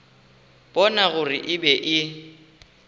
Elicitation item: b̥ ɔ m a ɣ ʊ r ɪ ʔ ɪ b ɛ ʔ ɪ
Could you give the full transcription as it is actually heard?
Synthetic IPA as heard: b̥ ɔ n a ɣ ʊ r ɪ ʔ ɪ b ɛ ʔ ɪ